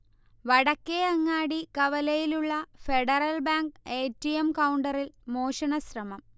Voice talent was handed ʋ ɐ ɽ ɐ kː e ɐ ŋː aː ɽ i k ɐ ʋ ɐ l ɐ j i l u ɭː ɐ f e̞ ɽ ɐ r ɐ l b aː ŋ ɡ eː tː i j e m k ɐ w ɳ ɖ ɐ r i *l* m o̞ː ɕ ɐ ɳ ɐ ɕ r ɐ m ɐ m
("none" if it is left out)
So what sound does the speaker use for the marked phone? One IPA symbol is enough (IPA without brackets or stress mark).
l